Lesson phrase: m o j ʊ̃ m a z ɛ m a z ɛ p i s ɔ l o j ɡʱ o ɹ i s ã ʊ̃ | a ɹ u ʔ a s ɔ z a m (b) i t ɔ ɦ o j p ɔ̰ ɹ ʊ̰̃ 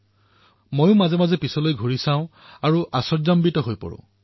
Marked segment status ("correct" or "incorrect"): correct